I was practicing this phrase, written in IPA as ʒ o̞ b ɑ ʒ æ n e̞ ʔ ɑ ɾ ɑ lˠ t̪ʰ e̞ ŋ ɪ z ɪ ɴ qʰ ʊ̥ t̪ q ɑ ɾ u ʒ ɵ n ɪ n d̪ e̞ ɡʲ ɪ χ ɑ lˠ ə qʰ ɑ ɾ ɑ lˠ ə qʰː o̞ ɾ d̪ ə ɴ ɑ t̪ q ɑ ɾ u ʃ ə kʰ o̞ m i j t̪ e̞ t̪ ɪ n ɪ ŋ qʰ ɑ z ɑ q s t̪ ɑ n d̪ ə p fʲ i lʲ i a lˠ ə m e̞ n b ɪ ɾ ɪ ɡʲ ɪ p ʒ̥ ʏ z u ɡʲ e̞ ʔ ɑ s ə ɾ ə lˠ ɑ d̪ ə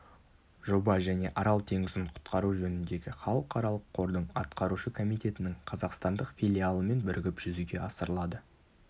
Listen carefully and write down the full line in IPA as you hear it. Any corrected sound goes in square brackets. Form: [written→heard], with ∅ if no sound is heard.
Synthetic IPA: ʒ o̞ b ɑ ʒ æ n e̞ ʔ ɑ ɾ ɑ lˠ t̪ʰ e̞ ŋ ɪ z ɪ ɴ qʰ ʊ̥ t̪ q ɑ ɾ u ʒ ɵ n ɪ n d̪ e̞ ɡʲ ɪ χ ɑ lˠ ə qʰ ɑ ɾ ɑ lˠ ə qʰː o̞ ɾ d̪ ə ɴ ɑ t̪ q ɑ ɾ u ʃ ə kʰ o̞ m i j t̪ e̞ t̪ ɪ n ɪ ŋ qʰ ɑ z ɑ q s t̪ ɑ n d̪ ə [p→q] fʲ i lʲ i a lˠ ə m e̞ n b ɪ ɾ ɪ ɡʲ ɪ p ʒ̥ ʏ z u ɡʲ e̞ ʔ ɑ s ə ɾ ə lˠ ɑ d̪ ə